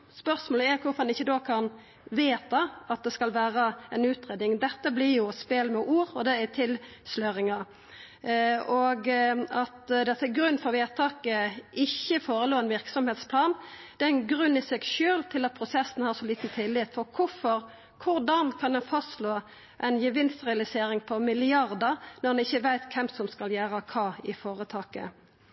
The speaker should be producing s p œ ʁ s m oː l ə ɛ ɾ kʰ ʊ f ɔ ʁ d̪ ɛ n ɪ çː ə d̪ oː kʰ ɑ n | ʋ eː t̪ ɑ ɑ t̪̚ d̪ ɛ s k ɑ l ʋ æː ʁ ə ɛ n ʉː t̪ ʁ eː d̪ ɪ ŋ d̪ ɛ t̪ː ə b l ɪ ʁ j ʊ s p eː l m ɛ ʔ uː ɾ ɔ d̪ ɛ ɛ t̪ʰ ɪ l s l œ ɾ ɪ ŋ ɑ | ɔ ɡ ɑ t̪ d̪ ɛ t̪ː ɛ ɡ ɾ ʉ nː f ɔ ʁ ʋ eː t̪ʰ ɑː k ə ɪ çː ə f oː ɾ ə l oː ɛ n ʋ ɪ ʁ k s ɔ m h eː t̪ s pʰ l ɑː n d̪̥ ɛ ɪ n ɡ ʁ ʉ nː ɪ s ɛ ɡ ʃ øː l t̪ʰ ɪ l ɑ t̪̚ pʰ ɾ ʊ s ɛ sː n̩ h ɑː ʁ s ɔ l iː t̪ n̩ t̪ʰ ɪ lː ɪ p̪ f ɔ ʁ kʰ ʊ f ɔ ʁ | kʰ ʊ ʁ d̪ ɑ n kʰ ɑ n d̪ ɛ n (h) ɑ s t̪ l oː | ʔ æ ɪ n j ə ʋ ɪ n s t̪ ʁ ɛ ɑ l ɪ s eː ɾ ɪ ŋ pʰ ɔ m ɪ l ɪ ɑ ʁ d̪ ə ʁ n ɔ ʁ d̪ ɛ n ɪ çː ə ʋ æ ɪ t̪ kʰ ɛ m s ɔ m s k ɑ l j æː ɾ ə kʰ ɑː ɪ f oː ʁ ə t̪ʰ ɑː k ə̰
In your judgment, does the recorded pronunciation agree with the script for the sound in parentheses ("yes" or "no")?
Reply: no